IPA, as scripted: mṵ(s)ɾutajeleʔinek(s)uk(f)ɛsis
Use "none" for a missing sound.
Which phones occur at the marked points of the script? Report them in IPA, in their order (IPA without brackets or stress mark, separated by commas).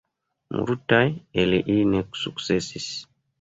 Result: none, s, s